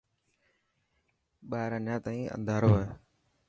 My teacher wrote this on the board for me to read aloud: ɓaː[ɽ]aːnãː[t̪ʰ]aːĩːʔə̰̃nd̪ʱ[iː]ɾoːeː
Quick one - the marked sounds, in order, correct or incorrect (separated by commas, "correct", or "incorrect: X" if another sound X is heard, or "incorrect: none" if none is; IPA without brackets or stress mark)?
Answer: incorrect: ɾ, incorrect: t̪, incorrect: aː